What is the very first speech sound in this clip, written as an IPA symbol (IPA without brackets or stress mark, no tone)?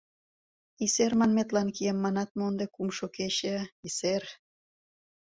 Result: i